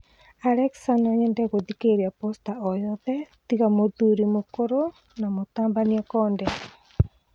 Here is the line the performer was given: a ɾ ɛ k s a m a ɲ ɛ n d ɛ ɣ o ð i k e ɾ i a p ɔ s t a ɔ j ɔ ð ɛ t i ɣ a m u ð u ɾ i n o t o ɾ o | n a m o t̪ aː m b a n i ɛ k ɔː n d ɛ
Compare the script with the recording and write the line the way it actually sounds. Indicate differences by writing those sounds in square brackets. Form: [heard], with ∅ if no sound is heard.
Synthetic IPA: a ɾ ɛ k s a [n] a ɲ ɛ n d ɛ ɣ o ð i k e ɾ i a p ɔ s t a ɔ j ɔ ð ɛ t i ɣ a m [o] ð u ɾ i [m] o [k] o ɾ o | n a m o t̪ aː m b a n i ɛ k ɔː n d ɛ